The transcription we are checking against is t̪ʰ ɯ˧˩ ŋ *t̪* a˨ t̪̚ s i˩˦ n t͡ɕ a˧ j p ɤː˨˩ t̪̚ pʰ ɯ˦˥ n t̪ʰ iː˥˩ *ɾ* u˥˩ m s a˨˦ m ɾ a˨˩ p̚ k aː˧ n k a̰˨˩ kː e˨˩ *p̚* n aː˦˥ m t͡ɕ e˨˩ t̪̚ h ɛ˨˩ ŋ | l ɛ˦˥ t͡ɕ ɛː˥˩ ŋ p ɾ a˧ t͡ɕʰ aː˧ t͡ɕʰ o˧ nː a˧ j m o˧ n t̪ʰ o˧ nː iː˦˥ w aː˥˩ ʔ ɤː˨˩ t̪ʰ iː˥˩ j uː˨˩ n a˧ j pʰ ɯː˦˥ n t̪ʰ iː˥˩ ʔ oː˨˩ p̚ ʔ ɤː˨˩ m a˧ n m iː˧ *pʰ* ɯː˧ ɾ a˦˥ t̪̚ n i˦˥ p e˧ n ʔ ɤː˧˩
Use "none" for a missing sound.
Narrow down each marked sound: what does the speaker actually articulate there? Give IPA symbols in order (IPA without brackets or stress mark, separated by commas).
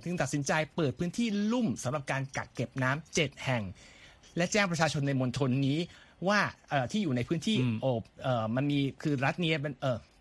t̪, l, p̚, kʰ